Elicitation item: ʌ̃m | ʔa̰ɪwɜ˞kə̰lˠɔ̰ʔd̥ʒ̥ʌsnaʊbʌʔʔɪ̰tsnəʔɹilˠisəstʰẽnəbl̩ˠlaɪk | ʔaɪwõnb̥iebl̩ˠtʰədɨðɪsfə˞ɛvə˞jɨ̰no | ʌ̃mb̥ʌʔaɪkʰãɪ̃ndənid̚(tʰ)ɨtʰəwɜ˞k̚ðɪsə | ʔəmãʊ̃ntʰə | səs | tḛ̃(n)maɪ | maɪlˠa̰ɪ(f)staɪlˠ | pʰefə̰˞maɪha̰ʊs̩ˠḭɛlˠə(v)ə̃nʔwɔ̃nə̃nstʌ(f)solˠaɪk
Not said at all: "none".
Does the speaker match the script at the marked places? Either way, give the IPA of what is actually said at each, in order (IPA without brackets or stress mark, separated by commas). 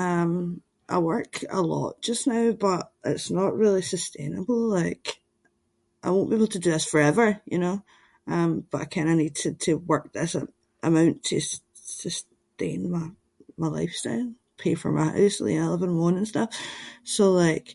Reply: tʰ, n, f, v, f